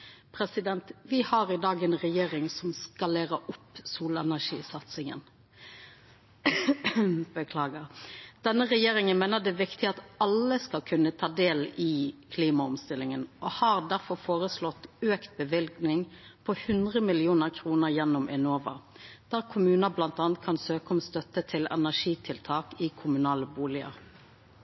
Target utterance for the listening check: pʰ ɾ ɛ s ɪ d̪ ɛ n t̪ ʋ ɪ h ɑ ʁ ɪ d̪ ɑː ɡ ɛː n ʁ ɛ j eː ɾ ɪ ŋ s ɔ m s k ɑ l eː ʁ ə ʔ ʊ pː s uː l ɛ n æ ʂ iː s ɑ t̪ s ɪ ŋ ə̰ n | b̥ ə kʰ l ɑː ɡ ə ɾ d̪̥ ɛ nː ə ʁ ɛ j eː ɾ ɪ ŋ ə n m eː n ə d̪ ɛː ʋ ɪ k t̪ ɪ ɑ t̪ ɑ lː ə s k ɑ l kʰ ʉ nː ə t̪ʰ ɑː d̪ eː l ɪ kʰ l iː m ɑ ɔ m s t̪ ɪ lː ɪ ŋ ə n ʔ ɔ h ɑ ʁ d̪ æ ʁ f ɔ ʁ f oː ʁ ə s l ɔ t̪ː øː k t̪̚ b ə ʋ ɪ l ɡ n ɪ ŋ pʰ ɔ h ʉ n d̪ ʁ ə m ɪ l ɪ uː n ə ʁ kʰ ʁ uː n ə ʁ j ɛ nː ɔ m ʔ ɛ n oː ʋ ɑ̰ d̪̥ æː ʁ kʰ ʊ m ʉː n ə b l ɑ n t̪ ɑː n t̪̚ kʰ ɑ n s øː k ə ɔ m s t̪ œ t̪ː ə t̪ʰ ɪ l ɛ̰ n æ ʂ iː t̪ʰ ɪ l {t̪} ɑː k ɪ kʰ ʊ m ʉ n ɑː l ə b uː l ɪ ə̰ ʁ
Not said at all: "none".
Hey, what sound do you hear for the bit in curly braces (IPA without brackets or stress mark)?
t̪ʰ